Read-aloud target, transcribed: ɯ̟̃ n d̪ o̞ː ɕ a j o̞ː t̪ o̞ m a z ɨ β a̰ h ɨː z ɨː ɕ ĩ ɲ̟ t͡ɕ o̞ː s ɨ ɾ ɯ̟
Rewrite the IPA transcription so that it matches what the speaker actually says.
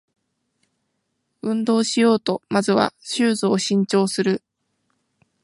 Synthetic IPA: ɯ̟̃ n d̪ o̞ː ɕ i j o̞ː t̪ o̞ m a z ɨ β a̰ ɕ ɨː z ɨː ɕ ĩ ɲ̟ t͡ɕ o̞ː s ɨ ɾ ɯ̟